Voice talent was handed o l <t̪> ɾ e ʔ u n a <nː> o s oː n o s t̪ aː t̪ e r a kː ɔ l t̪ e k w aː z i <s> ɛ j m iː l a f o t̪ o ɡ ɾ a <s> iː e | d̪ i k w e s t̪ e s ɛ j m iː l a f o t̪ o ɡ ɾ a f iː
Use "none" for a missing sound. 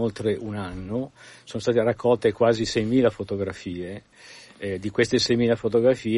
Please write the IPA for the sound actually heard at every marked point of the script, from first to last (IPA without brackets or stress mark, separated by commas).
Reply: t̪, nː, s, f